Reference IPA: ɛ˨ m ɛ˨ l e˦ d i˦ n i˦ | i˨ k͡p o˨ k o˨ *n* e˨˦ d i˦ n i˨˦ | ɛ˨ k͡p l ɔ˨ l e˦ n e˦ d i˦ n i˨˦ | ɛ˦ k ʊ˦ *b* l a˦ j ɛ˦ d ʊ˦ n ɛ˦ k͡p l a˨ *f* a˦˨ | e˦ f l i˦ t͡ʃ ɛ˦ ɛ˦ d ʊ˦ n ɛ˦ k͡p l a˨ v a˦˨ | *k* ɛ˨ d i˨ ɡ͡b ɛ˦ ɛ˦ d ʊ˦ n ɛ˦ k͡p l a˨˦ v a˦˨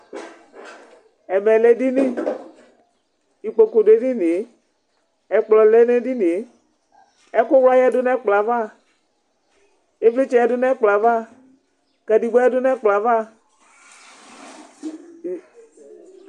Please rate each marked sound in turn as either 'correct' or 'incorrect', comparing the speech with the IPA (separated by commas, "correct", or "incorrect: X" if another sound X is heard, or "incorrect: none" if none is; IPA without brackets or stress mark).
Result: incorrect: d, incorrect: w, incorrect: v, correct